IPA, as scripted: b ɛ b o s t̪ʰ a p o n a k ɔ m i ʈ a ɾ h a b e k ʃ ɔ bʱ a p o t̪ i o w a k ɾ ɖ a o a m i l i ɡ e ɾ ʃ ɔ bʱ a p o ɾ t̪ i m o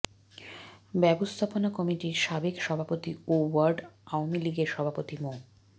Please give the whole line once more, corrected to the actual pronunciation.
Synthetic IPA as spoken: b ɛ b o s t̪ʰ a p o n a k ɔ m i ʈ i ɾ ʃ a b e k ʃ ɔ bʱ a p o t̪ i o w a ɾ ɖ a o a m i l i ɡ e ɾ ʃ ɔ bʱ a p o t̪ i m o